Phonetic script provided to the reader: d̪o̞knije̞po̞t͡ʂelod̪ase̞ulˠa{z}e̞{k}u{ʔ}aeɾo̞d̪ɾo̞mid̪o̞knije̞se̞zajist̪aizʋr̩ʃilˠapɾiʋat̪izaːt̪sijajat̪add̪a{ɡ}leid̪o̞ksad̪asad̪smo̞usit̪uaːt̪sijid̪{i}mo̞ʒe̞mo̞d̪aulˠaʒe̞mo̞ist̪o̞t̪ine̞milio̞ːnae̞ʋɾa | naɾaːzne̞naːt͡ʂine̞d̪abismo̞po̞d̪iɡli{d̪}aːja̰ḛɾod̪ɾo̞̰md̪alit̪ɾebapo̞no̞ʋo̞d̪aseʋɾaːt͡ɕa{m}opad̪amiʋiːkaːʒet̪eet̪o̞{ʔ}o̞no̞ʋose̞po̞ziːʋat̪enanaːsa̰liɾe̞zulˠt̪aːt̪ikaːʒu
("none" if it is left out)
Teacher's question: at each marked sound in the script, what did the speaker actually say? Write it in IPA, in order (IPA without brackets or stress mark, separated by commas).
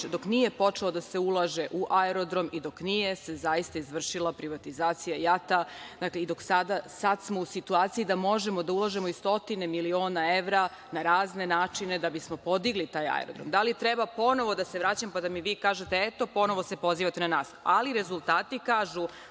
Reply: ʒ, ʔ, ʔ, k, a, t̪, m, p